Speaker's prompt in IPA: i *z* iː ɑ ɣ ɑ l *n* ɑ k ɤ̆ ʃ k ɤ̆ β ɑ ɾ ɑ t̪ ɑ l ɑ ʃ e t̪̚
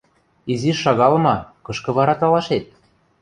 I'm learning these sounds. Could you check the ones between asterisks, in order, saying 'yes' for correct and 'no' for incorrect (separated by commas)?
yes, no